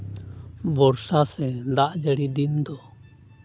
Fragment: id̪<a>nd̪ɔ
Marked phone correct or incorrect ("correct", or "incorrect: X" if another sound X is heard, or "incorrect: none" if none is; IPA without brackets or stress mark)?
incorrect: i